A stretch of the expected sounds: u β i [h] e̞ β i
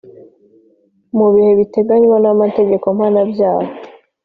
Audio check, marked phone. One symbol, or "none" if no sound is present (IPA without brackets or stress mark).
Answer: h